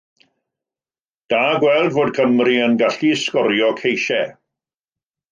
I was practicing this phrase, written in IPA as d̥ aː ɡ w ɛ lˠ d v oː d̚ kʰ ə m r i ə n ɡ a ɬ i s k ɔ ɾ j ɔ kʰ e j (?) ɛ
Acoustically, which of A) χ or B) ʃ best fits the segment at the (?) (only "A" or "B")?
B